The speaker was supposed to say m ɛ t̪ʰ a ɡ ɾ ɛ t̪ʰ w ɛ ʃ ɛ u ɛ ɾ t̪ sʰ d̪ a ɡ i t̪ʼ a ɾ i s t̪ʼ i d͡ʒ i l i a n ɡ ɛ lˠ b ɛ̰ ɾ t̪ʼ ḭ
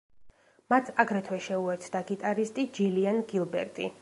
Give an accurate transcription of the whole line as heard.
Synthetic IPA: m a t̪ʰ a ɡ ɾ ɛ t̪ʰ w ɛ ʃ ɛ u ɛ ɾ t̪ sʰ d̪ a ɡ i t̪ʼ a ɾ i s t̪ʼ i d͡ʒ i l i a n ɡ i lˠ b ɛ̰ ɾ t̪ʼ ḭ